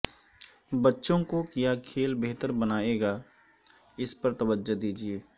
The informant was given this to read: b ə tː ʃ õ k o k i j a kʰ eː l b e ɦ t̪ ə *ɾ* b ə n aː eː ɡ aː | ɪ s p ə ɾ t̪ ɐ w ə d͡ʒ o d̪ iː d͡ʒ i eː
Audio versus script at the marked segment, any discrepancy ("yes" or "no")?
no